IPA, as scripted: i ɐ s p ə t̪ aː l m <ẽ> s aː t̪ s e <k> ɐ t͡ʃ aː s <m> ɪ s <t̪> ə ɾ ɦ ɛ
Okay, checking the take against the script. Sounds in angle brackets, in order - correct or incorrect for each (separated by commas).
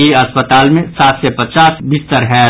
correct, incorrect, incorrect, correct